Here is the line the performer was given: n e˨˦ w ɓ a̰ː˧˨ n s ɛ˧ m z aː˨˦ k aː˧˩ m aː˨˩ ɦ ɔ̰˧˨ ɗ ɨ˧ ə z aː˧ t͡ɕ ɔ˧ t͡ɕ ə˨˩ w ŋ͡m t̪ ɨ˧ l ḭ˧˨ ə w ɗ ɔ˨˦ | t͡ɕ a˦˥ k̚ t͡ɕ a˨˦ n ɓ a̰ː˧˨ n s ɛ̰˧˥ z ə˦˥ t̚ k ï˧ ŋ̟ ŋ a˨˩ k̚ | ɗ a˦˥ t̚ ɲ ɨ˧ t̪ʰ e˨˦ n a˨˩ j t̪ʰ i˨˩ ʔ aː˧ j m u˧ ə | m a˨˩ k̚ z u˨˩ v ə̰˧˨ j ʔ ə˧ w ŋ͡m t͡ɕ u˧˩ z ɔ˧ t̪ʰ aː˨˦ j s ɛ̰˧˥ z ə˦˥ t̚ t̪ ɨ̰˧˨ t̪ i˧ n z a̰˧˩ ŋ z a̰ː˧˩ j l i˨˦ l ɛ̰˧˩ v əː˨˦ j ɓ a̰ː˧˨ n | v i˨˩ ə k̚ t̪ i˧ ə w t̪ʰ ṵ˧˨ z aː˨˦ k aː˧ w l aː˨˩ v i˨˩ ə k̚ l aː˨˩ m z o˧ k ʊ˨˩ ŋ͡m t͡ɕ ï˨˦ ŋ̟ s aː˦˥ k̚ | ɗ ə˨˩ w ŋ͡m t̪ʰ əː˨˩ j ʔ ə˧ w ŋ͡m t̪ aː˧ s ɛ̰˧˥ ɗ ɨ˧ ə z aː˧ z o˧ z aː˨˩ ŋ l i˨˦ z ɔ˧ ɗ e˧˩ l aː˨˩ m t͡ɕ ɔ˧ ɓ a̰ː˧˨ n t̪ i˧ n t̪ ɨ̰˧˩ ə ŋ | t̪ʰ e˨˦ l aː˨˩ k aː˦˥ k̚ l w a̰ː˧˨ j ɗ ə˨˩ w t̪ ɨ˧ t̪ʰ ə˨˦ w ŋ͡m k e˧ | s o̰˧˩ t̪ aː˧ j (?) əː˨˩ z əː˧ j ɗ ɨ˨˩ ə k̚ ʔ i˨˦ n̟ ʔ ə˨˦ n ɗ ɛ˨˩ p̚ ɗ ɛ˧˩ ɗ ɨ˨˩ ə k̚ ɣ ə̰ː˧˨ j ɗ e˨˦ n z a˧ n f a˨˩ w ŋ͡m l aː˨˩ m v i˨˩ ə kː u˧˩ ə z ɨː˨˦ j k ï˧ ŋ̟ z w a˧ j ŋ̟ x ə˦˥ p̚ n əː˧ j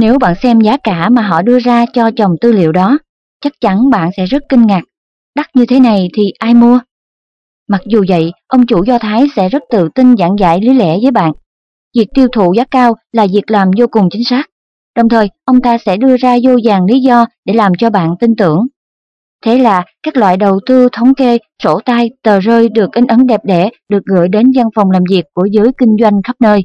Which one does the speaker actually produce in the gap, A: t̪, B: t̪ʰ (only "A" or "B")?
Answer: A